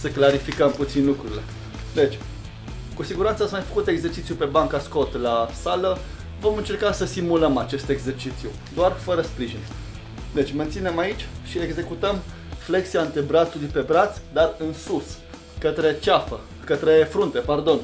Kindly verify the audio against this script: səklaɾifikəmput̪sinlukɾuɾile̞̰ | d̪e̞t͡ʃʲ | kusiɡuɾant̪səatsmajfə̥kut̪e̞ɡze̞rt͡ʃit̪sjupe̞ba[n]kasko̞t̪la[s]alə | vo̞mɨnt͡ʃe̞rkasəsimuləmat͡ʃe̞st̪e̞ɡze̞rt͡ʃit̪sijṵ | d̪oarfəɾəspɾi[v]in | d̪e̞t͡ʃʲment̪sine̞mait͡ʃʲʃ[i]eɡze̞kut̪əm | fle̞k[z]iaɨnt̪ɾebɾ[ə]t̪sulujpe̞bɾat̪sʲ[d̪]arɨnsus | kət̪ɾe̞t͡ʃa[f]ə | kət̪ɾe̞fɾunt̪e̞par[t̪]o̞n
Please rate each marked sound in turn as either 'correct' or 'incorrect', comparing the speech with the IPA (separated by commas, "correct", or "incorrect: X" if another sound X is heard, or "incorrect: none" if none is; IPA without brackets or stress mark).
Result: incorrect: ŋ, correct, incorrect: ʒ, correct, incorrect: s, incorrect: a, correct, correct, incorrect: d̪